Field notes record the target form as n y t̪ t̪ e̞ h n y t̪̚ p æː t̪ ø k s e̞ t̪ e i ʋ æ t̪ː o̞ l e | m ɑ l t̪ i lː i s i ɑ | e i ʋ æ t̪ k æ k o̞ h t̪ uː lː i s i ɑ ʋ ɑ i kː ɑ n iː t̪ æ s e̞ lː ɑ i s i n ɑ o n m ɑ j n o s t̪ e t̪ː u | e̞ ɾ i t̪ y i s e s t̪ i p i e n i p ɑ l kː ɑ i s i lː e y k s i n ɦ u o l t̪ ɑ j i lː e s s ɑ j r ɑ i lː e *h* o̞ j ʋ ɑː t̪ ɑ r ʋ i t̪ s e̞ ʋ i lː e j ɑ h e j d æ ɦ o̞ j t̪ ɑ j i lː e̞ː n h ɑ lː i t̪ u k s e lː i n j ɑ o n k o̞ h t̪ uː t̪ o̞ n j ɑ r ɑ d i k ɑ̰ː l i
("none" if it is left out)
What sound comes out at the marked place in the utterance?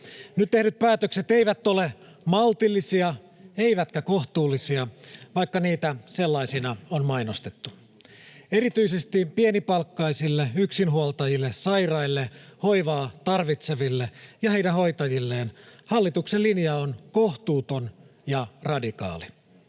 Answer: h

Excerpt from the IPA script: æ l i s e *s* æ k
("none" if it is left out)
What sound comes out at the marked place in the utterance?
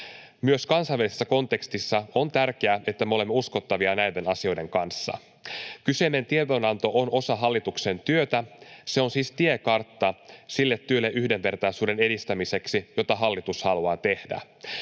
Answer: sː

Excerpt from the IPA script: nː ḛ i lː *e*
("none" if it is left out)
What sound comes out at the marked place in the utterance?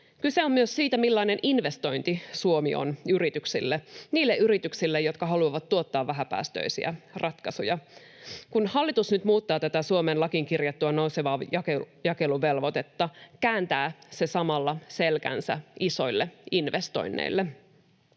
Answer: e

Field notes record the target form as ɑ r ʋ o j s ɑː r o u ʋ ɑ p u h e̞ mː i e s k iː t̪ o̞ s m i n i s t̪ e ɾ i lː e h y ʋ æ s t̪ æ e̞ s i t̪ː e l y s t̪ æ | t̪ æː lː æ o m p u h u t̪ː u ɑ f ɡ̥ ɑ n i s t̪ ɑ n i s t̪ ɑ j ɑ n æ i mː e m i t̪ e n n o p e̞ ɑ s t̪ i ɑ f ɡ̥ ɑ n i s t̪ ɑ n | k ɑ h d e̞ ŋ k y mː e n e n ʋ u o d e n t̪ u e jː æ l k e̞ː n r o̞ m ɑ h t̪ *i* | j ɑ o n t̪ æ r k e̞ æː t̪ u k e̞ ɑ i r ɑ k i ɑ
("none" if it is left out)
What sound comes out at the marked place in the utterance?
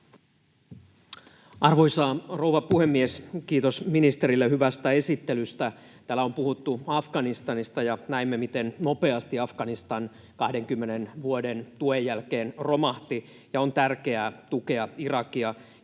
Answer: i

